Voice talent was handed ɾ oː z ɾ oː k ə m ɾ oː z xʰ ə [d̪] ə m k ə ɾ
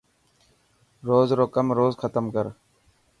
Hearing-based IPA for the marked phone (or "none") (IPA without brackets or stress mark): t̪